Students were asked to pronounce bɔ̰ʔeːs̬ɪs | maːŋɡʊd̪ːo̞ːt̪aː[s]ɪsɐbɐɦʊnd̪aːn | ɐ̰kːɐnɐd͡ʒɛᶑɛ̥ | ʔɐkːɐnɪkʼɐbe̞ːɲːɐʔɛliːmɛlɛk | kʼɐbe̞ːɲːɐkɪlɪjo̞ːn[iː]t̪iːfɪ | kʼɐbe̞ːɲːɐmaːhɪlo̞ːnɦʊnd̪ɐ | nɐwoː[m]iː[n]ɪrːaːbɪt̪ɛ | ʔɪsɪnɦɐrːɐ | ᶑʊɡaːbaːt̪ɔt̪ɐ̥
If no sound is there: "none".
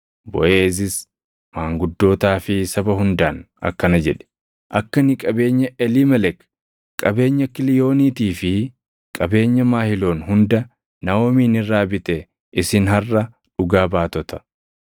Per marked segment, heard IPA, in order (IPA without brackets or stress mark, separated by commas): f, iː, m, n